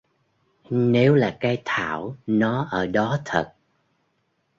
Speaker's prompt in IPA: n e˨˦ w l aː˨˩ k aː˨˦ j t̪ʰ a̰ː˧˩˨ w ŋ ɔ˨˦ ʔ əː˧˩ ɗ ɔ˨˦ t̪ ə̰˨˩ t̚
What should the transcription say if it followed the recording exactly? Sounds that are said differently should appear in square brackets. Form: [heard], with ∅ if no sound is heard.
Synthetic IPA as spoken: n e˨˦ w l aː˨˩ k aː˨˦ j t̪ʰ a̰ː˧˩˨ w [n] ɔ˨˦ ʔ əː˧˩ ɗ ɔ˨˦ [t̪ʰ] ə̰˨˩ t̚